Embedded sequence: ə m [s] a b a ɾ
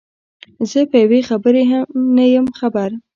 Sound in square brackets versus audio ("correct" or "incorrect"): incorrect